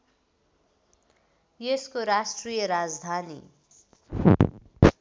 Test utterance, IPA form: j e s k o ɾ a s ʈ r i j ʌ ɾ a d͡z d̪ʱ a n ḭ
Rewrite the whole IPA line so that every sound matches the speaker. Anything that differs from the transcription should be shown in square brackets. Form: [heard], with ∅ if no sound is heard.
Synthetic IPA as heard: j e s k o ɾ a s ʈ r i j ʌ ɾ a d͡z d̪ʱ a n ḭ